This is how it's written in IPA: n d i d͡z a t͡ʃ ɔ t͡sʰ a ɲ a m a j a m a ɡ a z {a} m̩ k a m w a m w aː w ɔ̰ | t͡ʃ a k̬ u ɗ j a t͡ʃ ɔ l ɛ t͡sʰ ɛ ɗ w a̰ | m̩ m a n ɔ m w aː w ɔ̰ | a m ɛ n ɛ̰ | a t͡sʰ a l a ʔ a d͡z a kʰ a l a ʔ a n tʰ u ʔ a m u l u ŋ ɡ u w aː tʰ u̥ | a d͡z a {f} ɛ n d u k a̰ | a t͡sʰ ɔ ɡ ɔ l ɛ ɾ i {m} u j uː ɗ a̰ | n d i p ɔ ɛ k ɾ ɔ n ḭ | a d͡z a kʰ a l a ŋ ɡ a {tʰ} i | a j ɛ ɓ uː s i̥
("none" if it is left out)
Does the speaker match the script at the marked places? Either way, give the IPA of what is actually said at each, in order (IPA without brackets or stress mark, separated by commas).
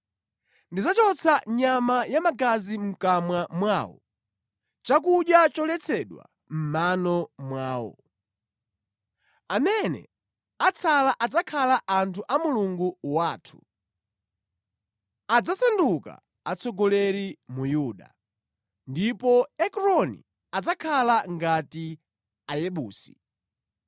i, s, m, t